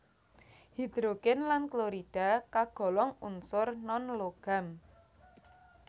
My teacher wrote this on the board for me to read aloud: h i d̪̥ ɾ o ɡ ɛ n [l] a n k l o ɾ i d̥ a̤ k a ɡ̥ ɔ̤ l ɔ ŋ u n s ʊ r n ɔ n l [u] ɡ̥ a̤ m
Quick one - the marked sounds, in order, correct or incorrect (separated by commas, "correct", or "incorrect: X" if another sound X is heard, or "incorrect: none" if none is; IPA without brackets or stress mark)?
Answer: correct, incorrect: o